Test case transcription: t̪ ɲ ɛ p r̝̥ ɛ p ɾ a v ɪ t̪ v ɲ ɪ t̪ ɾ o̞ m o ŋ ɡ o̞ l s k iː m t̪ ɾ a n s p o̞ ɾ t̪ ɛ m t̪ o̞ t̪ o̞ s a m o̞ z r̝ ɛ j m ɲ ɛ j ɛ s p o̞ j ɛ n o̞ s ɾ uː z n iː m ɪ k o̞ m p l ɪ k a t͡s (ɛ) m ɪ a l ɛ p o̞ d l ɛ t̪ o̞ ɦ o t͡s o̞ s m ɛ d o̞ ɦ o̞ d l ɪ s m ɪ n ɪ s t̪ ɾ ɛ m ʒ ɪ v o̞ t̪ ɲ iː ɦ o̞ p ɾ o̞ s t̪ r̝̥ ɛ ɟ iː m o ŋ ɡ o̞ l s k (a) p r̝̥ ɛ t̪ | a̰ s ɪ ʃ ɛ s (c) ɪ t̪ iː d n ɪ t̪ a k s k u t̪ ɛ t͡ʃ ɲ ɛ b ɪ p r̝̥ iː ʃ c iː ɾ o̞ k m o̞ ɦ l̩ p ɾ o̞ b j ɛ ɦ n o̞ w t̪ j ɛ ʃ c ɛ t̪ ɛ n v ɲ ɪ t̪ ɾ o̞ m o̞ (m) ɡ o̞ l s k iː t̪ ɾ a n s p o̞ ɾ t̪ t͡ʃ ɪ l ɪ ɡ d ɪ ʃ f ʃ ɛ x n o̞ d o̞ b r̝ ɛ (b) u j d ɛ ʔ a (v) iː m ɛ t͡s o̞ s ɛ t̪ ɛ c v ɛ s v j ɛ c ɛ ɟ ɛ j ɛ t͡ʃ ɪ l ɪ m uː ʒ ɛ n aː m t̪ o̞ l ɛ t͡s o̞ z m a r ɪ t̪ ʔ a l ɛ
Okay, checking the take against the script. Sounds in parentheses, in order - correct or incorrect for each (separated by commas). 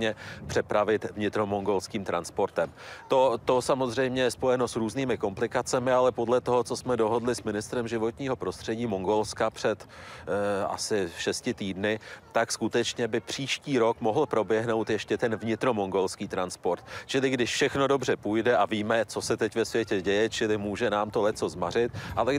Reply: correct, correct, correct, incorrect, incorrect, correct